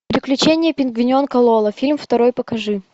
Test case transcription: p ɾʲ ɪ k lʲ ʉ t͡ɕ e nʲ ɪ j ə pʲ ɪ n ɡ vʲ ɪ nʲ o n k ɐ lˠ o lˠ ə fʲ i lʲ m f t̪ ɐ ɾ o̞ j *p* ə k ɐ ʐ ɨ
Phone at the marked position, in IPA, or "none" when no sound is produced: p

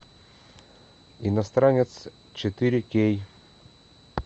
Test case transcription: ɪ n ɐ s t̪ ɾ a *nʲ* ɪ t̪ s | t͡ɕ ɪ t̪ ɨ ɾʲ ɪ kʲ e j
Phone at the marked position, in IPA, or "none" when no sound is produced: nʲ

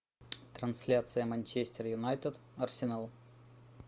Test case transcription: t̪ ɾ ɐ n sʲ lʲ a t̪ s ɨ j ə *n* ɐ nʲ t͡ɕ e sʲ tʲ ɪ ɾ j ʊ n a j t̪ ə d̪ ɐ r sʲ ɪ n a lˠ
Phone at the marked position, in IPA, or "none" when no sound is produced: m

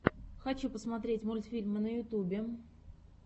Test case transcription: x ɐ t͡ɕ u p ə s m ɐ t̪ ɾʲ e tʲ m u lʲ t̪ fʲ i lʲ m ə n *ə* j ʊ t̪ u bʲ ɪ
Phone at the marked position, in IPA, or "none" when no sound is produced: ə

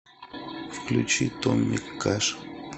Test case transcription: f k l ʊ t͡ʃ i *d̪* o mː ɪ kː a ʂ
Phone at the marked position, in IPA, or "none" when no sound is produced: t̪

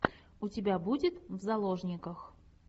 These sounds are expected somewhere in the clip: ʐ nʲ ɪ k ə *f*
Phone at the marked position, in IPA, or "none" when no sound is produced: x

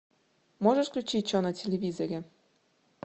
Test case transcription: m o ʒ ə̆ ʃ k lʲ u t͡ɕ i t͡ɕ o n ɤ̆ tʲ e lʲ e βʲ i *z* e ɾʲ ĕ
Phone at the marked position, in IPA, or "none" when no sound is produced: z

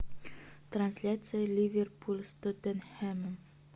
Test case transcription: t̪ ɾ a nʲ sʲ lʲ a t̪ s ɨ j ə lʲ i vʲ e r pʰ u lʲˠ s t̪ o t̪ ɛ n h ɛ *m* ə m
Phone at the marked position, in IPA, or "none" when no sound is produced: m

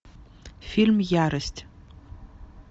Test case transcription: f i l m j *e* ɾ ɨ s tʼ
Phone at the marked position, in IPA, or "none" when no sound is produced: a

